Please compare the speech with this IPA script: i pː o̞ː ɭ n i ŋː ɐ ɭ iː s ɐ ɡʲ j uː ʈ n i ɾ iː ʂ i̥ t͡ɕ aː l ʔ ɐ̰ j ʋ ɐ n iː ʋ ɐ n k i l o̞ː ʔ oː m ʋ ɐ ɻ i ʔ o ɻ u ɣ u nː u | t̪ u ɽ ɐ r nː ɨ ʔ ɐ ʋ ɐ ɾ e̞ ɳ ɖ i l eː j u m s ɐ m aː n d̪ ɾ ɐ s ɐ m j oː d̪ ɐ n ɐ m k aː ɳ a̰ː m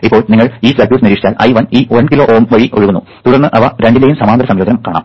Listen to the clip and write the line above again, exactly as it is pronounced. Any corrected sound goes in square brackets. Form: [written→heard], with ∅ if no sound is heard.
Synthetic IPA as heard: i pː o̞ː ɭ n i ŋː ɐ ɭ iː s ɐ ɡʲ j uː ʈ n i ɾ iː ʂ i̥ t͡ɕ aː l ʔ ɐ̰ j ʋ ɐ n iː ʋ ɐ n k i l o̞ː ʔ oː m ʋ ɐ ɻ i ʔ o ɻ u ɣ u nː u | t̪ u ɽ ɐ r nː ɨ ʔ ɐ ʋ ɐ ɾ e̞ ɳ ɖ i l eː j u m s ɐ m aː n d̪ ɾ ɐ s ɐ m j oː d̪ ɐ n ɐ m k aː ɳ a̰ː m